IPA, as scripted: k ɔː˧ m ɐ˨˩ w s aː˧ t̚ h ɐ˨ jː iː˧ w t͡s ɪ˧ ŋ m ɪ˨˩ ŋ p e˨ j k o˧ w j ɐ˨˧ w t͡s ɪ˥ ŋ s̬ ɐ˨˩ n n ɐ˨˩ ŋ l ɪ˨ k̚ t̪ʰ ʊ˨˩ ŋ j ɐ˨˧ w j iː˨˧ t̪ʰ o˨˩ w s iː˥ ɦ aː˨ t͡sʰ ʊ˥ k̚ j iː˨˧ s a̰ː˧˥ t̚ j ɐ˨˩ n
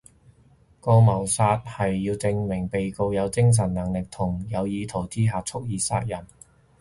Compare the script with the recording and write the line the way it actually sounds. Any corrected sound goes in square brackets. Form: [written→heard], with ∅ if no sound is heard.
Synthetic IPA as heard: k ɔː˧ m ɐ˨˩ w s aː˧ t̚ h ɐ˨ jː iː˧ w t͡s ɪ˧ ŋ m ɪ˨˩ ŋ p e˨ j k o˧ w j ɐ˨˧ w t͡s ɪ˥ ŋ s̬ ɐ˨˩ n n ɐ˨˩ ŋ l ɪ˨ k̚ t̪ʰ ʊ˨˩ ŋ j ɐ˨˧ w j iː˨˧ t̪ʰ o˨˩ w [s→t͡s] iː˥ ɦ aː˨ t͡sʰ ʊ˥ k̚ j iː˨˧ s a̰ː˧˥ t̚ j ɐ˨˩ n